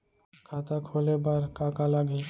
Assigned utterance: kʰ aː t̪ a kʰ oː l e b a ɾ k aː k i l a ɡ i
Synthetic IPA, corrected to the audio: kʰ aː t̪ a kʰ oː l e b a ɾ k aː k a l a ɡ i